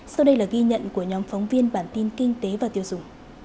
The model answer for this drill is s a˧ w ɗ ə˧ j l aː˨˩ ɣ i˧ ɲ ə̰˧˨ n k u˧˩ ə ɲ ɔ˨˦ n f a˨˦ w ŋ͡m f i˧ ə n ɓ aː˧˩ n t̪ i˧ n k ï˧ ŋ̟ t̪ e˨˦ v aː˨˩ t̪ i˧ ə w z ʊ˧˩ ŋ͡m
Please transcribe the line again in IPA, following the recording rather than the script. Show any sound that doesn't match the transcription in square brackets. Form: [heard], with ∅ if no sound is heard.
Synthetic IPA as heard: s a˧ w ɗ ə˧ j l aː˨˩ ɣ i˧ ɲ ə̰˧˨ n k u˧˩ ə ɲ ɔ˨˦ [m] f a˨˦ w ŋ͡m [v] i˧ ə n ɓ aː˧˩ n t̪ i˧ n k ï˧ ŋ̟ t̪ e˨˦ v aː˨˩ t̪ i˧ ə w z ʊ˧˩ ŋ͡m